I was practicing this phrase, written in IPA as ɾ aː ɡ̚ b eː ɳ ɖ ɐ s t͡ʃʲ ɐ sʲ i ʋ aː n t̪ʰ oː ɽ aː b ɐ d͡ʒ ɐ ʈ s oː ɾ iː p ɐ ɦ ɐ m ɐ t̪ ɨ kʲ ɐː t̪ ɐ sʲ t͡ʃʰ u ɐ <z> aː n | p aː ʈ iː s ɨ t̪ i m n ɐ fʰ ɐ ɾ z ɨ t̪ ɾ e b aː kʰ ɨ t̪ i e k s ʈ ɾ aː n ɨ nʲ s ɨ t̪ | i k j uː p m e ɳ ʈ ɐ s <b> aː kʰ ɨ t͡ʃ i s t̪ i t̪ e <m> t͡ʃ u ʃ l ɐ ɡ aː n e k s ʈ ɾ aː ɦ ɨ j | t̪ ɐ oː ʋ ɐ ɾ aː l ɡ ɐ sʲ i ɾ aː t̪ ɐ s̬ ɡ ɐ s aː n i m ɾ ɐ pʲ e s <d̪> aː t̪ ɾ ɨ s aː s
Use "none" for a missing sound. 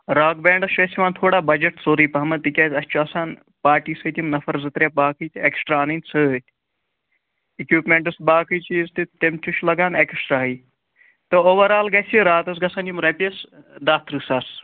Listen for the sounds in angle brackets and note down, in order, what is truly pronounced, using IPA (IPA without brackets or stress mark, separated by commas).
s, b, m, d̪